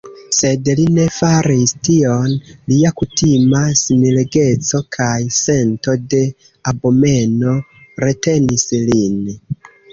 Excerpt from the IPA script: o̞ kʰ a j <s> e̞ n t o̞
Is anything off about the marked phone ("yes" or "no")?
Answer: no